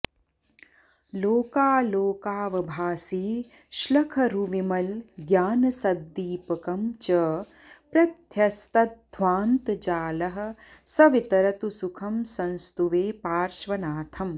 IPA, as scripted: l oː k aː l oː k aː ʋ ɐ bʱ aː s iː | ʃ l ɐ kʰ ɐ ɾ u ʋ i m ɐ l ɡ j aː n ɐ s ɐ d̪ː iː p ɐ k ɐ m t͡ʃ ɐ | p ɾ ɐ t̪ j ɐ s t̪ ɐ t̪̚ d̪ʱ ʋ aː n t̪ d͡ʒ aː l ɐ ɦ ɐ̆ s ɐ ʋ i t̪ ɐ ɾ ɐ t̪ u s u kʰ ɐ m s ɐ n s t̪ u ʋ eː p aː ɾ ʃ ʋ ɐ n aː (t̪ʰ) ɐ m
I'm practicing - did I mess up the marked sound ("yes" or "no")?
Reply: no